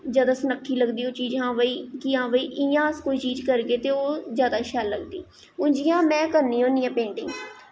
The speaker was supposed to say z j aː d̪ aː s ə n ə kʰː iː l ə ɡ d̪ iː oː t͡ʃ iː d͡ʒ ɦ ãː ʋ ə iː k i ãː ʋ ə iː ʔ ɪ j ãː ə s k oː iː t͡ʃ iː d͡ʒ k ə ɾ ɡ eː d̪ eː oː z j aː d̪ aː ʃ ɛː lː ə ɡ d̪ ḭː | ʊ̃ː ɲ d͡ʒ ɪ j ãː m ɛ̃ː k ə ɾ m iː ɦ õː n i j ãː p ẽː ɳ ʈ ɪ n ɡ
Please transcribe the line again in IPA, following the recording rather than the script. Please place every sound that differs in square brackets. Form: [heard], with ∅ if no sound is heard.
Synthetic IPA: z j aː d̪ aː s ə n ə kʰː iː l ə ɡ d̪ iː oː t͡ʃ iː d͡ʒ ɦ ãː ʋ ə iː k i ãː ʋ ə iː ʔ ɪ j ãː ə s k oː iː t͡ʃ iː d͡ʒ k ə ɾ ɡ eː [t̪] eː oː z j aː d̪ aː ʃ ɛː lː ə ɡ d̪ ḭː | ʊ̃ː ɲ d͡ʒ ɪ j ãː m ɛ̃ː k ə ɾ [n] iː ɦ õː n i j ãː p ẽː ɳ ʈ ɪ [ŋ] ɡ